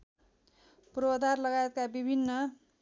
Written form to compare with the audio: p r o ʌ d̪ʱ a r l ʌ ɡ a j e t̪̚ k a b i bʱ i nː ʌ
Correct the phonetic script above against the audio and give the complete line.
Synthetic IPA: p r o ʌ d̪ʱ a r l ʌ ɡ a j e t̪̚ k a b i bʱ i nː ʌ

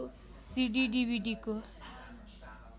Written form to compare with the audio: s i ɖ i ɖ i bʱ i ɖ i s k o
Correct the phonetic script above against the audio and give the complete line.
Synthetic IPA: s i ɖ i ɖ i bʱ i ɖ i k o

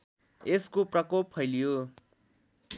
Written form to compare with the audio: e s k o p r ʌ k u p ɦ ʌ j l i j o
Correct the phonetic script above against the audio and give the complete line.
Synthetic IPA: e s k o p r ʌ k o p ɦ ʌ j l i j o

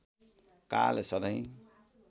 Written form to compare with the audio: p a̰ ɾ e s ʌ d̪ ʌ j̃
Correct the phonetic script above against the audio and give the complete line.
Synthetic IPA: k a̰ l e s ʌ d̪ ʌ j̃

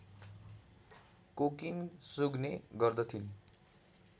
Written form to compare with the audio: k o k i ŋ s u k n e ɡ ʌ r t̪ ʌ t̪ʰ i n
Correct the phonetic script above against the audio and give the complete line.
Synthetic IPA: k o k i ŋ s u ɡ n e ɡ ʌ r d̪ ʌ t̪ʰ i n

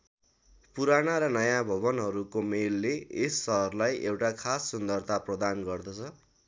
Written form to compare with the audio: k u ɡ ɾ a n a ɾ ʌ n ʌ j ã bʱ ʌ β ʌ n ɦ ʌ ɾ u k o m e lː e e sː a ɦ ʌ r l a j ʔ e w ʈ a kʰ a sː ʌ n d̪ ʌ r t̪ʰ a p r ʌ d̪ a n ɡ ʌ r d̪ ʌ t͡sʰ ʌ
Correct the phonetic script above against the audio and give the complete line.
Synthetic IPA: p u ɾ a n a ɾ ʌ n ʌ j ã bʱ ʌ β ʌ n ɦ ʌ ɾ u k o m e lː e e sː ʌ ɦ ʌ r l a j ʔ e w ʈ a kʰ a sː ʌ n d̪ ʌ r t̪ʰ a p r ʌ d̪ a n ɡ ʌ r d̪ ʌ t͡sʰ ʌ

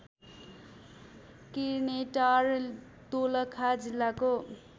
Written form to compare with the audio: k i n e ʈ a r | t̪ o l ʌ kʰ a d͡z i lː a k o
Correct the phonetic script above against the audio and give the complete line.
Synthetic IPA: k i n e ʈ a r | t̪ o l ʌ kʰ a d͡z i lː a k o

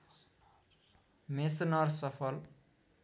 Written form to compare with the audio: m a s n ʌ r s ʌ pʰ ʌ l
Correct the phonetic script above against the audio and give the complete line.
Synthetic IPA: m e s n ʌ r s ʌ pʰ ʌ l

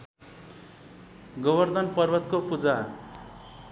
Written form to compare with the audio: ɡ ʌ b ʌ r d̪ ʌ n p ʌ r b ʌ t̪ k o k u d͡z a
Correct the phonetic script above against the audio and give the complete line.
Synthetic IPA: ɡ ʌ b ʌ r d̪ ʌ n p ʌ r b ʌ t̪ k o p u d͡z a

